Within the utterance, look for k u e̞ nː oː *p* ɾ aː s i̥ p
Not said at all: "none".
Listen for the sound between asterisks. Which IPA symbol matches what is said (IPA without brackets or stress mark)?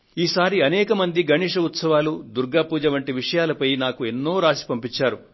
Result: none